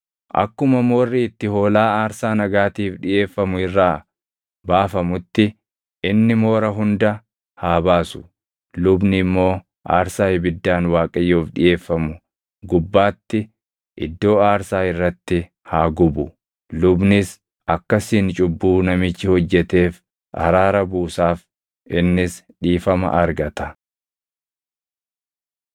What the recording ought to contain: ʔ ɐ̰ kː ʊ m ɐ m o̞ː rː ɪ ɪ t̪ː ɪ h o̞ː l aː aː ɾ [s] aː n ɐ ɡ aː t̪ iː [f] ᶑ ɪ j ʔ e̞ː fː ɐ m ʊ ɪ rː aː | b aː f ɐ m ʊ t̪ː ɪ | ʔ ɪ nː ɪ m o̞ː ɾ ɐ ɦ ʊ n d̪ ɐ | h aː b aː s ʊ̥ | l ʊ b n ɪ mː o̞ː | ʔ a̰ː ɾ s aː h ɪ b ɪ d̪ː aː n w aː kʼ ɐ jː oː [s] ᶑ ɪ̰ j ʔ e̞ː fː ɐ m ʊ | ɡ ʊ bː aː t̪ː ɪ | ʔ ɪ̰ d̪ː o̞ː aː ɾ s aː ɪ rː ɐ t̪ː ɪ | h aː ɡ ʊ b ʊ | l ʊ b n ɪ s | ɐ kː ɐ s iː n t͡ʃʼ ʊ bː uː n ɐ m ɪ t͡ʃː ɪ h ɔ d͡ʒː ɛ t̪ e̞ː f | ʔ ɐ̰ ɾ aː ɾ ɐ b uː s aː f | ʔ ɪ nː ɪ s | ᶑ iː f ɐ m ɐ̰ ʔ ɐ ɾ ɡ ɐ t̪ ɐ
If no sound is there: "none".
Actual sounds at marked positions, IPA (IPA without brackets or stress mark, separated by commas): s, f, f